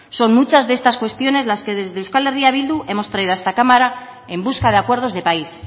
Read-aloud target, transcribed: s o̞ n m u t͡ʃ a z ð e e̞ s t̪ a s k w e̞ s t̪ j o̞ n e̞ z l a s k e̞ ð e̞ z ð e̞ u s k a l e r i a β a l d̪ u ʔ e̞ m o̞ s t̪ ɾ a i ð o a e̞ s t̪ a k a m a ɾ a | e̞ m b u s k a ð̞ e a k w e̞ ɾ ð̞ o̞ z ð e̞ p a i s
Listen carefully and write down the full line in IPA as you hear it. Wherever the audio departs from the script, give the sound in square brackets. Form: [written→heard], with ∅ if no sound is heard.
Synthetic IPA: s o̞ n m u t͡ʃ a z ð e e̞ s t̪ a s k w e̞ s t̪ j o̞ n e̞ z l a s k e̞ ð e̞ z ð e̞ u s k a l e r i a β [a→i] l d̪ u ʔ e̞ m o̞ s t̪ ɾ a i ð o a e̞ s t̪ a k a m a ɾ a | e̞ m b u s k a ð̞ e a k w e̞ ɾ ð̞ o̞ z ð e̞ p a i s